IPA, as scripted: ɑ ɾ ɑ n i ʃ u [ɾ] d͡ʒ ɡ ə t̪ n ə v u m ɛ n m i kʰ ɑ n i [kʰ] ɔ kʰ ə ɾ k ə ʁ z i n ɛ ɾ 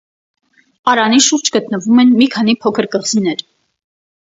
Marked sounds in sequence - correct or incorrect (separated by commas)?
correct, incorrect